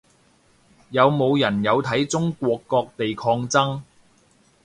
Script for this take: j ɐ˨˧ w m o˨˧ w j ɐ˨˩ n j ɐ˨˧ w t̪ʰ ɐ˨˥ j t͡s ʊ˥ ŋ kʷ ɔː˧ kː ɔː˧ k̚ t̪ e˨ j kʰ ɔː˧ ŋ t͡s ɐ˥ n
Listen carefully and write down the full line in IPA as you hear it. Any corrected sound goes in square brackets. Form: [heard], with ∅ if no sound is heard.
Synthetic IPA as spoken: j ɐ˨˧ w m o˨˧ w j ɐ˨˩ n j ɐ˨˧ w t̪ʰ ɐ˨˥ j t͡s ʊ˥ ŋ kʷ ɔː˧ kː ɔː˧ k̚ t̪ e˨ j kʰ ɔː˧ ŋ t͡s ɐ˥ [ŋ]